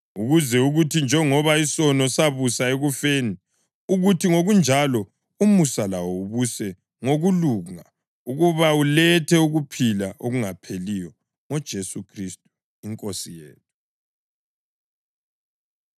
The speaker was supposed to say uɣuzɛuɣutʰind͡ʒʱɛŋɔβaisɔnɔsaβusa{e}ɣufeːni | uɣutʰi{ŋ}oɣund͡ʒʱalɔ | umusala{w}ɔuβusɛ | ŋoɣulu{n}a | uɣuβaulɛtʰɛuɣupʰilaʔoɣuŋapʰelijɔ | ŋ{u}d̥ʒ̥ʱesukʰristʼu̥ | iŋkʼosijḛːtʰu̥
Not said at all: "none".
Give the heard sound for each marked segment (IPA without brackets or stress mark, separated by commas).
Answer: e, ŋ, w, ŋ, ɔ